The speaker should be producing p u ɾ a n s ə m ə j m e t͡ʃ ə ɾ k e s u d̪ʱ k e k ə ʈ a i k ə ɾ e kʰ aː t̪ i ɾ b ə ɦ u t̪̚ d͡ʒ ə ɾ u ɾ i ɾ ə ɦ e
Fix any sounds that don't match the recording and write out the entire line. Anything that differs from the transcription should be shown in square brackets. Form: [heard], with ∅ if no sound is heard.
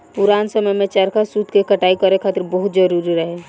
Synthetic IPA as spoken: p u ɾ a n s ə m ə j m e t͡ʃ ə ɾ k [a] s u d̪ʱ k e k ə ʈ a i k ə ɾ e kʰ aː t̪ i ɾ b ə ɦ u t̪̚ d͡ʒ ə ɾ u ɾ i ɾ ə ɦ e